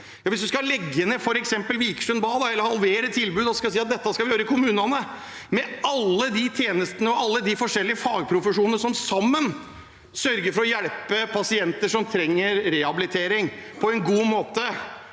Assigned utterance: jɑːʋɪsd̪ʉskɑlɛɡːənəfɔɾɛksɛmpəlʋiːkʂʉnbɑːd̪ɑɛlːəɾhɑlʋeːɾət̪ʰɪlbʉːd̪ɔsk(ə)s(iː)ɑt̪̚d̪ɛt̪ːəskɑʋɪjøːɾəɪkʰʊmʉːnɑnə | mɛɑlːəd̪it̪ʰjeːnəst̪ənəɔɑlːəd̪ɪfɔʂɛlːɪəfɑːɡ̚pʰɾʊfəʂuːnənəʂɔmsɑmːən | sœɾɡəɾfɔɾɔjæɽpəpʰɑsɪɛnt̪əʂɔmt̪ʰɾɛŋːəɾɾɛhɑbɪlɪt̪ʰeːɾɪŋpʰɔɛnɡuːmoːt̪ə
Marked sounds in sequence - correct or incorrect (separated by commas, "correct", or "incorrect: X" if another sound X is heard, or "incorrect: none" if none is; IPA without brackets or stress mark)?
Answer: incorrect: ɑ, correct